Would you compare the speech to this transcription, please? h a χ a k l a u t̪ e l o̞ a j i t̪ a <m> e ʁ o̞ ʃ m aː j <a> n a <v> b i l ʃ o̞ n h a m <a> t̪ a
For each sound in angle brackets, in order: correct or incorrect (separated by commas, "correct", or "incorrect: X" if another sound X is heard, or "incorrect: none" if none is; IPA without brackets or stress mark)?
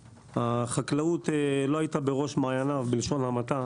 incorrect: b, correct, correct, correct